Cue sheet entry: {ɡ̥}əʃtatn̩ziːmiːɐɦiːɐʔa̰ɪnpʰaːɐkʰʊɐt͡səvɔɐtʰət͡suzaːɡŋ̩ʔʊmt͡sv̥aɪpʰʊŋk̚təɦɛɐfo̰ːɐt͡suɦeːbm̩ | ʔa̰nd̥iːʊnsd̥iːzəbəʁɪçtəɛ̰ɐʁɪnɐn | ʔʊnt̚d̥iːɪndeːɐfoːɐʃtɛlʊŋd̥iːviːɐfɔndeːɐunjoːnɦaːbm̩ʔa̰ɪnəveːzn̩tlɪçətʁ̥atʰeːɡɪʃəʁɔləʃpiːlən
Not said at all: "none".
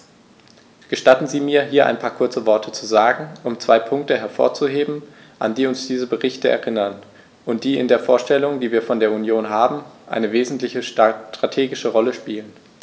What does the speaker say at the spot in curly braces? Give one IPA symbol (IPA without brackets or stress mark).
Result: ɡ̥